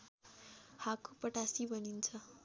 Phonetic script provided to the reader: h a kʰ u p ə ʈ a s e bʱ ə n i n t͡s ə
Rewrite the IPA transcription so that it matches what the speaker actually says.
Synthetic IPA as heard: h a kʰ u p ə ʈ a s i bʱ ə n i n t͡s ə